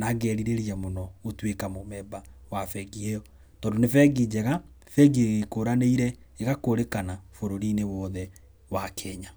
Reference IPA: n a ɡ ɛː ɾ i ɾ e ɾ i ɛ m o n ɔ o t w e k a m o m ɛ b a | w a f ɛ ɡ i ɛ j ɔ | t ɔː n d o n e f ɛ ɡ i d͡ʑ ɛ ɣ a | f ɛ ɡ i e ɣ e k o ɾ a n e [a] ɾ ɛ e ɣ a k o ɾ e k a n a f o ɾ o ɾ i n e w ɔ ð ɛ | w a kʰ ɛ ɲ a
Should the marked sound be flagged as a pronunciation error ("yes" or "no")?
yes